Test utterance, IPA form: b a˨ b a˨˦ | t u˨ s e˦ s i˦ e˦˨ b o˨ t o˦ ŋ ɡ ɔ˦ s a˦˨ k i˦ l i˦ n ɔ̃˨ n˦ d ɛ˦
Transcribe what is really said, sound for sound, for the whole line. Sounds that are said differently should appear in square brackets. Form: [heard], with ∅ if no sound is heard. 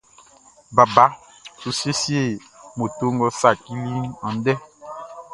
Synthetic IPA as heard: b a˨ b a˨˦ | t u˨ s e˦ s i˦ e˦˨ [m] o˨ t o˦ ŋ ɡ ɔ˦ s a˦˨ k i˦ l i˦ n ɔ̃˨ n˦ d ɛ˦